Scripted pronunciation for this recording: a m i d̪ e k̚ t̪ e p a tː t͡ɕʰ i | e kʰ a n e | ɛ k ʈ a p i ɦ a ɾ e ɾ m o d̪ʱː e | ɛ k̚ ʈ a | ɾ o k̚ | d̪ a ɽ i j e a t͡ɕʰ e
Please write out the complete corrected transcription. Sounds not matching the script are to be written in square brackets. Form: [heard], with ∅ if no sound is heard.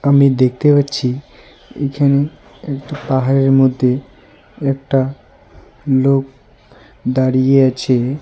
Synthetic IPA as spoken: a m i d̪ e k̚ t̪ e p a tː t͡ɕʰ i | e kʰ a n e | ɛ k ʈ a p [a] ɦ a ɾ e ɾ m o d̪ʱː e | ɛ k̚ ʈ a | [l] o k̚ | d̪ a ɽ i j e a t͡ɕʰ e

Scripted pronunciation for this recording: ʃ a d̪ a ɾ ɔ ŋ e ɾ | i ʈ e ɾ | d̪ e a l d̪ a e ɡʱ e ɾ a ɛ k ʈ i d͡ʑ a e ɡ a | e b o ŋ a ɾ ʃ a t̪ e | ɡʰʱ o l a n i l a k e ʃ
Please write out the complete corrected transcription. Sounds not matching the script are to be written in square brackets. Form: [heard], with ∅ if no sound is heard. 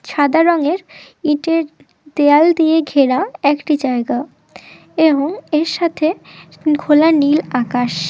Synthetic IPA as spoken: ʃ a d̪ a ɾ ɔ ŋ e ɾ | i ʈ e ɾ | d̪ e a l d̪ [i] e ɡʱ e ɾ a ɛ k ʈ i d͡ʑ a e ɡ a | e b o ŋ [e] ɾ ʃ a [t̪ʰ] e | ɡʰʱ o l a n i l a k [a] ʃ

